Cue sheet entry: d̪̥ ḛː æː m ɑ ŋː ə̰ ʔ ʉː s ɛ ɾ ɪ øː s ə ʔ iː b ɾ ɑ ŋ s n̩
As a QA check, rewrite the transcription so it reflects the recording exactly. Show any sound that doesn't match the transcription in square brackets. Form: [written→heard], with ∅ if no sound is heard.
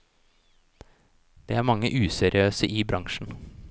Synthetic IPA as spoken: d̪̥ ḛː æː m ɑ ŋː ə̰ ʔ ʉː s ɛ ɾ ɪ øː s ə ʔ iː b ɾ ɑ ŋ [s→ʃ] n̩